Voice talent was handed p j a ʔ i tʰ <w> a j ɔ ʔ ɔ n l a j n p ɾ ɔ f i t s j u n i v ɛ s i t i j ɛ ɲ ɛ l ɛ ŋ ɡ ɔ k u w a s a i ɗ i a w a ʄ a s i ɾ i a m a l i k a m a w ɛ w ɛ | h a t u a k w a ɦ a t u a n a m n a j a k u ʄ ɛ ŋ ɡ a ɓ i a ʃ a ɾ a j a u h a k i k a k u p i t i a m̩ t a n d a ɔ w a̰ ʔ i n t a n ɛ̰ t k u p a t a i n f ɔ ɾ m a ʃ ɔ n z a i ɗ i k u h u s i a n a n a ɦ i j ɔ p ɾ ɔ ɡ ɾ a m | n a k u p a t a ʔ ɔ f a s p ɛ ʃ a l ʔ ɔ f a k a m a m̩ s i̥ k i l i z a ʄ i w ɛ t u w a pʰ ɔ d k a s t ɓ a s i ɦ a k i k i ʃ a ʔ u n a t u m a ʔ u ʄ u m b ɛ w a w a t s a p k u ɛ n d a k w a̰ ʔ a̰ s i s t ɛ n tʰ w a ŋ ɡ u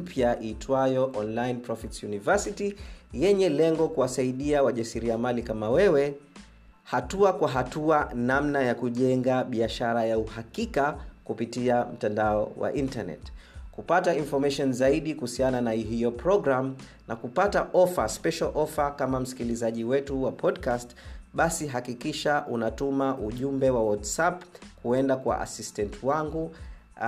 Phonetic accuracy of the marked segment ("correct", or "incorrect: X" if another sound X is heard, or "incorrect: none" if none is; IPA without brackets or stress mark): correct